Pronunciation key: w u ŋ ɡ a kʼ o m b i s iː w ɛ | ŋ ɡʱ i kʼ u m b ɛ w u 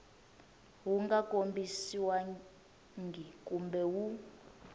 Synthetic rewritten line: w u ŋ ɡ a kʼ o m b i s i w a | ŋ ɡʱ i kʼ u m b ɛ w u